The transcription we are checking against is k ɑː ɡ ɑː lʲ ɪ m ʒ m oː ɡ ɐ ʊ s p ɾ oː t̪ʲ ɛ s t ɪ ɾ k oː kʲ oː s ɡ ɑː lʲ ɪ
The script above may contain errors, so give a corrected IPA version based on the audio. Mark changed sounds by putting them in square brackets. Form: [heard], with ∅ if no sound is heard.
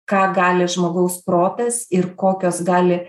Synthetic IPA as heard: k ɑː ɡ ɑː lʲ ɪ [∅] ʒ m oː ɡ ɐ ʊ s p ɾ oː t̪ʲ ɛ s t ɪ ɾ k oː kʲ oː s ɡ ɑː lʲ ɪ